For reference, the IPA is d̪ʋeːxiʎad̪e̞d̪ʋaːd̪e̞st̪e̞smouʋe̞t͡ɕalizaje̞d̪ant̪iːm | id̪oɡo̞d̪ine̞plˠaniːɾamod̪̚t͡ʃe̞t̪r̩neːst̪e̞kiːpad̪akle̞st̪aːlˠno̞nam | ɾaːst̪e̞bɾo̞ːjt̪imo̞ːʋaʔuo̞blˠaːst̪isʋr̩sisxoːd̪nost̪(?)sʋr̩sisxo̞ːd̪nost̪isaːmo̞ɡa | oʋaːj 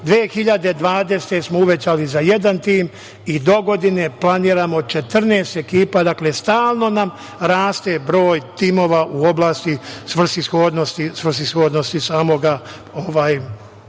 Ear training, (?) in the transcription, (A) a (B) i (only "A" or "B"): B